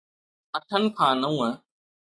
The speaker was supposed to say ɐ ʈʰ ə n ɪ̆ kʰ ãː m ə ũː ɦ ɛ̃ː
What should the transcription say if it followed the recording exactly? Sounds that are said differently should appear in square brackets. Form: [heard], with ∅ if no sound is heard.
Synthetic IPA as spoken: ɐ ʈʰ ə n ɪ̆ kʰ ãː [n] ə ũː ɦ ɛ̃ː